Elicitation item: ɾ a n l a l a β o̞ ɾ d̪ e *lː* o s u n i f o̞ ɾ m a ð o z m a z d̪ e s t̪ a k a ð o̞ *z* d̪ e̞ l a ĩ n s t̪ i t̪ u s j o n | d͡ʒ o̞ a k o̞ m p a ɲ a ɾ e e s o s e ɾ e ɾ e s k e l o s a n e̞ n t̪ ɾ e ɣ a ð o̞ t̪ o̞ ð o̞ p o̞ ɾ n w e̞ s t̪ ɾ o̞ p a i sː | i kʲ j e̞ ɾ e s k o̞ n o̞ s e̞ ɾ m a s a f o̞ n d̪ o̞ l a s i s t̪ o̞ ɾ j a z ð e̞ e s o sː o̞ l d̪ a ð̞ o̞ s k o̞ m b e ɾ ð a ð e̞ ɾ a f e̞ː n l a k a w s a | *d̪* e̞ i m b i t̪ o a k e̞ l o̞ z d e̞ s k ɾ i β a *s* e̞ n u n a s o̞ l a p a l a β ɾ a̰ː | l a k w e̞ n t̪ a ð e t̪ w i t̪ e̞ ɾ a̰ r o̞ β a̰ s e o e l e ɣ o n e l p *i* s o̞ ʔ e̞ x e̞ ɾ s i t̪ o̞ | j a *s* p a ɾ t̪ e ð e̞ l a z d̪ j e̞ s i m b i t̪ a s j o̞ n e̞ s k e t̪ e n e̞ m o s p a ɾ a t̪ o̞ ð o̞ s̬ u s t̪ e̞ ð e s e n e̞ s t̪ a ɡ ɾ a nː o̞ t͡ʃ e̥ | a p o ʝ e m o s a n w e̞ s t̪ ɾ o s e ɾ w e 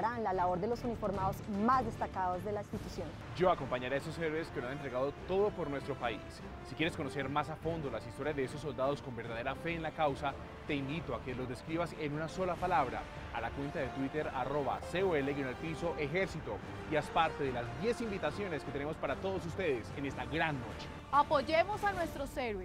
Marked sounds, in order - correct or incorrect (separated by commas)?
incorrect, correct, incorrect, correct, correct, correct